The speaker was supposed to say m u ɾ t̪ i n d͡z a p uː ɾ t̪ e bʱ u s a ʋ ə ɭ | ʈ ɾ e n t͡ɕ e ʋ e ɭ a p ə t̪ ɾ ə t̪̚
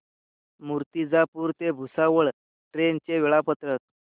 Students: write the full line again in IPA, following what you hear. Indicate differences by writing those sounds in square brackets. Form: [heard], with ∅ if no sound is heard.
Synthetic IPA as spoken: m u ɾ t̪ i [∅] d͡z a p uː ɾ t̪ e bʱ u s a ʋ ə ɭ | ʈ ɾ e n t͡ɕ e ʋ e ɭ a p ə t̪ ɾ ə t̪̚